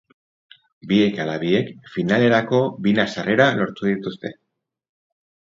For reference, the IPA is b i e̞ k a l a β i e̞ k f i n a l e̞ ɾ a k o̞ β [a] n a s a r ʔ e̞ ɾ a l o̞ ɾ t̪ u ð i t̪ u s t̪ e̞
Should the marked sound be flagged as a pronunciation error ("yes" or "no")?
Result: yes